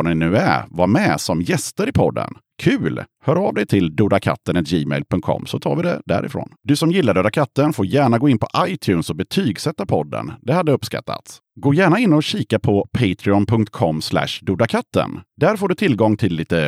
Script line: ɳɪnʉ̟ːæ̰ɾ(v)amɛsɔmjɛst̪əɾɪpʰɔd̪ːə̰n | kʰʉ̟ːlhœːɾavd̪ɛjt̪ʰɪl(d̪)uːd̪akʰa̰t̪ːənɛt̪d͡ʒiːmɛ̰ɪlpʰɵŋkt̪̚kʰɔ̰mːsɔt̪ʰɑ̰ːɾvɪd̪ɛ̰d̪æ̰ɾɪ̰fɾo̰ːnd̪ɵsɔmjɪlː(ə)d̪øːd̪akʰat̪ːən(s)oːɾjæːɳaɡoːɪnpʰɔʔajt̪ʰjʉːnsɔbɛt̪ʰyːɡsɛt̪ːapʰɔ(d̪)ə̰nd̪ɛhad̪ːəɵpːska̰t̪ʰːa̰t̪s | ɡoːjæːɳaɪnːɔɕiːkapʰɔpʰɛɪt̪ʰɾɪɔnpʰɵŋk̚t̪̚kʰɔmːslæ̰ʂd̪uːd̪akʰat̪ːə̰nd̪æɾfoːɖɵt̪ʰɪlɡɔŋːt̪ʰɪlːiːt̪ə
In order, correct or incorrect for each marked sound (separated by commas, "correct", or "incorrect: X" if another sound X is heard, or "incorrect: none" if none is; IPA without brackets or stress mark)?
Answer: correct, correct, incorrect: a, incorrect: f, incorrect: d̪ː